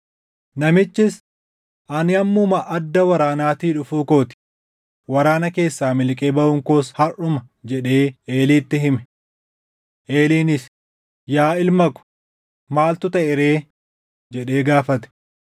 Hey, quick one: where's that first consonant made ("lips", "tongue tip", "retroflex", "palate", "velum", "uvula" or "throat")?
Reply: tongue tip